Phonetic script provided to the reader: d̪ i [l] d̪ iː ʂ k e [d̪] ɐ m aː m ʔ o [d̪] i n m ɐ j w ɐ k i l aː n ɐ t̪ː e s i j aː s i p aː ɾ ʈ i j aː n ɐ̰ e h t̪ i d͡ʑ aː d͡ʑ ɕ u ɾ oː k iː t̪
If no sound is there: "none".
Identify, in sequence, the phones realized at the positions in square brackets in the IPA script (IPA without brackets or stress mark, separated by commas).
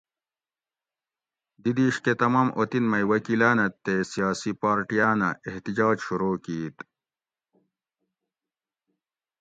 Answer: none, t̪, t̪